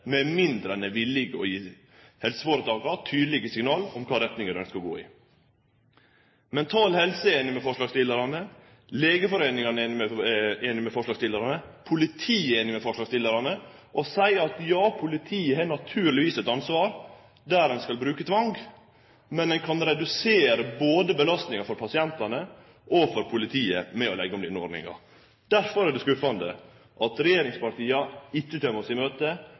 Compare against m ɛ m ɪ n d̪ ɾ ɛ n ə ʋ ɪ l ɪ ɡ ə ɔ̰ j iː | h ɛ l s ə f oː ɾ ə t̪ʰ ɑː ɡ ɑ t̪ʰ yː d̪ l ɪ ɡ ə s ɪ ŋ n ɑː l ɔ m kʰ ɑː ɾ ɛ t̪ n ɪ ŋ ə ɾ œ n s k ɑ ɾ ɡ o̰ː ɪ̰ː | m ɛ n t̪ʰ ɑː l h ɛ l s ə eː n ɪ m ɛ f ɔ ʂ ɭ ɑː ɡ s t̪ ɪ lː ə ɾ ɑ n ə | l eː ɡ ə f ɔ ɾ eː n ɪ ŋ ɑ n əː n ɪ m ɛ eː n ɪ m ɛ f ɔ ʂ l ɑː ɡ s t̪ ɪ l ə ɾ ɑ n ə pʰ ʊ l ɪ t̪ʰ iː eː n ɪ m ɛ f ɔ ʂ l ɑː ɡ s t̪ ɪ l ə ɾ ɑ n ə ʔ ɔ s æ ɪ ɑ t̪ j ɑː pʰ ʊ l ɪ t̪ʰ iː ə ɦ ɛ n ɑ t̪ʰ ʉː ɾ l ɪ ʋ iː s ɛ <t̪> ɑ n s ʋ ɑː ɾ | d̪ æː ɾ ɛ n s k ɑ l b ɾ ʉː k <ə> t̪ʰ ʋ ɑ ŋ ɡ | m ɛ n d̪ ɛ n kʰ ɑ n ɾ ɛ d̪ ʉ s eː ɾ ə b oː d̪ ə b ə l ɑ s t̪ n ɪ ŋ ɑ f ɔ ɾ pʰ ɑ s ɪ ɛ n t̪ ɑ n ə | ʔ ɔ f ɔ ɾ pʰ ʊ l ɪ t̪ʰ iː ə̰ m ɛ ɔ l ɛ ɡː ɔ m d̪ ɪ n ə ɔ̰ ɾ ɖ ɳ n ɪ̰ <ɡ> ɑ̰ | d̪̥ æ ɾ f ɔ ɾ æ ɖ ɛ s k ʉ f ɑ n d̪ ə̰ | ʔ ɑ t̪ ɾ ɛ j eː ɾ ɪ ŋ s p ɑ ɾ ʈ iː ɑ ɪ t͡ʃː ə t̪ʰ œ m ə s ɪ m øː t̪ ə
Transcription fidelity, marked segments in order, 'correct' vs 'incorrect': correct, correct, incorrect: ŋ

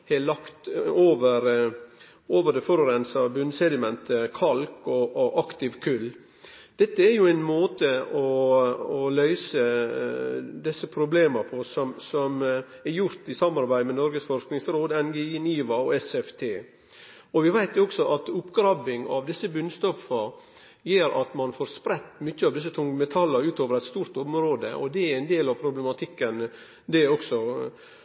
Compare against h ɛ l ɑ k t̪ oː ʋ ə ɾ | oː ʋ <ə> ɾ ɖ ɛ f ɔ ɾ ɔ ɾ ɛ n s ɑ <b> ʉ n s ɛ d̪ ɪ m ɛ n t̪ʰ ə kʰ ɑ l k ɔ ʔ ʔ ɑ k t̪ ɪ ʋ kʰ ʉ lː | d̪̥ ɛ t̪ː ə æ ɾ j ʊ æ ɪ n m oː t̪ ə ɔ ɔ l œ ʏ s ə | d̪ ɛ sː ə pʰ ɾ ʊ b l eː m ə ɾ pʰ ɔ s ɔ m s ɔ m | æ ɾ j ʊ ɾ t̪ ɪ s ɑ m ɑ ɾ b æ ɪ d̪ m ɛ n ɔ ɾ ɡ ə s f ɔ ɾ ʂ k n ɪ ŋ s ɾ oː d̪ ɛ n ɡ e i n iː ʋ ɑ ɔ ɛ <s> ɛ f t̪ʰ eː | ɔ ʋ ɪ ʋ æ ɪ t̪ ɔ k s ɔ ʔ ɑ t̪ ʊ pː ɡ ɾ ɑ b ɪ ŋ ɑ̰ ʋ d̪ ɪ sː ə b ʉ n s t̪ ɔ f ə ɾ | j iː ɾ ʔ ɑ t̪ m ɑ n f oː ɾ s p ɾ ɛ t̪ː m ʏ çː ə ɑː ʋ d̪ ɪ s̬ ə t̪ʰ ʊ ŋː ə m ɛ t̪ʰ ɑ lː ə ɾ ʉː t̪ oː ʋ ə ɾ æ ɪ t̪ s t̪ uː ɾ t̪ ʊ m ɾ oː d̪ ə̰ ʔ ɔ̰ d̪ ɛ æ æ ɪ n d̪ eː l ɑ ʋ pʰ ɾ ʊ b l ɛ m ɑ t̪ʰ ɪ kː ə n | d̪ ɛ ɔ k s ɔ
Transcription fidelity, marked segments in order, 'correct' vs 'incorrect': correct, correct, correct

